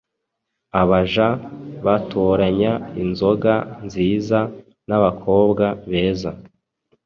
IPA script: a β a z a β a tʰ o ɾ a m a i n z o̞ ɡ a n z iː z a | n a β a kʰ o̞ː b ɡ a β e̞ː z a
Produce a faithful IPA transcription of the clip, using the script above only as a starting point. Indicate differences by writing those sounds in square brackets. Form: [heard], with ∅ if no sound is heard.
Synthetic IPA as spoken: a β a [ʒ] a β a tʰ o ɾ a [ɲ] a i n z o̞ ɡ a n z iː z a | n a β a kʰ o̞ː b ɡ a β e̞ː z a